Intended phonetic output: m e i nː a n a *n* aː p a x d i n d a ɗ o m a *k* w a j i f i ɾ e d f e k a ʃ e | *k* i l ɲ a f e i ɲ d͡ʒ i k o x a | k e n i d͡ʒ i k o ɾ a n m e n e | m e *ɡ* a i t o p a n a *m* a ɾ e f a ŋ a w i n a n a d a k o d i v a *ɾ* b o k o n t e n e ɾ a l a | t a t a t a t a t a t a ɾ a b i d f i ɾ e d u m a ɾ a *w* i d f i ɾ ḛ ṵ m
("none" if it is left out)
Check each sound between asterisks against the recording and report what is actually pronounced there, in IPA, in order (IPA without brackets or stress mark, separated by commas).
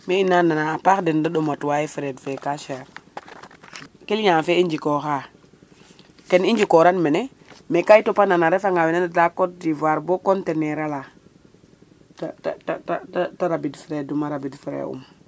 n, t, k, k, n, ɾ, b